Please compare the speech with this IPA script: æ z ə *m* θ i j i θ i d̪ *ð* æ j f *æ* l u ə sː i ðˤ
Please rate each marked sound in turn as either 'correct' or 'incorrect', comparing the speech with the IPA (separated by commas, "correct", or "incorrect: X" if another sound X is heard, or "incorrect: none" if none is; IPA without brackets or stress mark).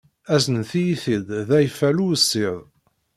incorrect: n, correct, correct